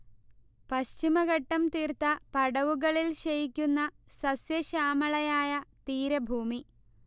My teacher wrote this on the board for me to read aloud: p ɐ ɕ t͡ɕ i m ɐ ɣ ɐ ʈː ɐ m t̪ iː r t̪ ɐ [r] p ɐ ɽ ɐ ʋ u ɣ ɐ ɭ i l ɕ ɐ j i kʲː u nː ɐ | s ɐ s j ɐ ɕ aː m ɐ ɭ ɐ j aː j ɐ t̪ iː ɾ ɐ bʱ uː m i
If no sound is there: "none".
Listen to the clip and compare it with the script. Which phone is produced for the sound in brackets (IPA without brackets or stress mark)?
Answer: none